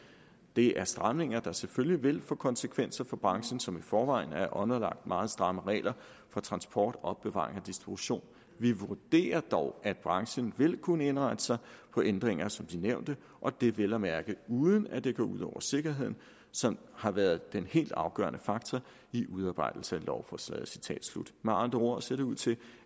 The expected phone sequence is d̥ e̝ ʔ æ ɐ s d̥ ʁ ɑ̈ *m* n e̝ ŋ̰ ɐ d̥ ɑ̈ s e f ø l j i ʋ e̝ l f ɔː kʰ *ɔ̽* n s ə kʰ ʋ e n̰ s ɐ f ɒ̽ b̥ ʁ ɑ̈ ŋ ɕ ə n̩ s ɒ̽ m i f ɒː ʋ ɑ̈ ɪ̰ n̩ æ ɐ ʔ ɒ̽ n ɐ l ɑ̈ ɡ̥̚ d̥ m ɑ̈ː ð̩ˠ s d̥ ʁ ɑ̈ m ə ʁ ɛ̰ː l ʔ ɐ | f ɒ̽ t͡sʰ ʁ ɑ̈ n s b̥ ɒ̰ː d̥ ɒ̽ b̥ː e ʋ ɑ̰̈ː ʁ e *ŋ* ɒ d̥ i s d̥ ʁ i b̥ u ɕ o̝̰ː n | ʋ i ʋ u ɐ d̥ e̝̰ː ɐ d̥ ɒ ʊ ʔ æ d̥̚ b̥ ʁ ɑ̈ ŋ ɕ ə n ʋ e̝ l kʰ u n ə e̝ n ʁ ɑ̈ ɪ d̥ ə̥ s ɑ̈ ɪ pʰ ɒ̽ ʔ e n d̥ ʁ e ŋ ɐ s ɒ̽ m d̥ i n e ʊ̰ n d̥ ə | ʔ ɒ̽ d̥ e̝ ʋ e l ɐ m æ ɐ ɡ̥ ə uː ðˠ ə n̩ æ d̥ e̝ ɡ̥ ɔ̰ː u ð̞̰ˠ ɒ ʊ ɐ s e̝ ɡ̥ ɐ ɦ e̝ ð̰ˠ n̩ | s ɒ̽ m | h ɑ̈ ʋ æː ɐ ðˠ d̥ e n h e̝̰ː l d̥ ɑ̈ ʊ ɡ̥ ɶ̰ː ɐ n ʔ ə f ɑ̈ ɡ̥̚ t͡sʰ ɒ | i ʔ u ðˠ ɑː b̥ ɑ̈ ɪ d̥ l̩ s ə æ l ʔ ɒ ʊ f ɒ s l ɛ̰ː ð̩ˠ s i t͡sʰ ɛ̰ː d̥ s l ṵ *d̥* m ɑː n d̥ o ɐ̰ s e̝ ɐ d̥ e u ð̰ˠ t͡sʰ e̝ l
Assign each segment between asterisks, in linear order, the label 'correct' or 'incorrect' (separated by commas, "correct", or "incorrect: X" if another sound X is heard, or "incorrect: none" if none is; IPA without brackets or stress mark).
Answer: correct, incorrect: ɒ̽, correct, correct